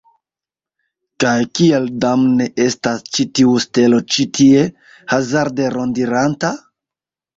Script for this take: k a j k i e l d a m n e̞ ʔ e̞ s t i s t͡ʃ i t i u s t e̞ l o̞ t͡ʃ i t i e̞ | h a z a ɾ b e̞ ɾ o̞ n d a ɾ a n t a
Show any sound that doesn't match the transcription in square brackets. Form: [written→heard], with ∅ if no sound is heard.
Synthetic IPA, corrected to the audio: k a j k i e l d a m n e̞ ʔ e̞ s t [i→a] s t͡ʃ i t i u s t e̞ l o̞ t͡ʃ i t i e̞ | h a z a ɾ [b→d] e̞ ɾ o̞ n d [a→i] ɾ a n t a